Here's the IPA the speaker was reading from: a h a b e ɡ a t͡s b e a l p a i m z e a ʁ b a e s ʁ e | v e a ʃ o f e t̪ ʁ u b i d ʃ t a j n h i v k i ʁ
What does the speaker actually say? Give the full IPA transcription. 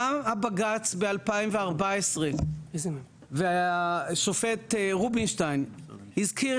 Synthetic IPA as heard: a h a b a ɡ a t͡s b e a l p a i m v e a ʁ b a e s ʁ e | v e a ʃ o f e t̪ ʁ u b i n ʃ t a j n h i z k i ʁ